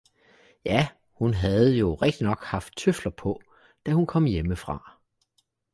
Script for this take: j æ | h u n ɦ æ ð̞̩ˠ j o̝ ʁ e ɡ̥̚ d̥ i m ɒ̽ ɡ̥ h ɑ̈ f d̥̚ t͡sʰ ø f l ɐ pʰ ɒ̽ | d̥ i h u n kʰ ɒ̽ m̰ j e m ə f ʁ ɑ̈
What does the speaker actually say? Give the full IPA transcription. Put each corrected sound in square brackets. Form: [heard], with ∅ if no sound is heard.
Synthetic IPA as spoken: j æ | h u n ɦ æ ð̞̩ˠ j o̝ ʁ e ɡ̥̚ d̥ i [n] ɒ̽ ɡ̥ h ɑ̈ f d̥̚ t͡sʰ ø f l ɐ pʰ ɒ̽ | d̥ [æ] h u n kʰ ɒ̽ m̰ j e m ə f ʁ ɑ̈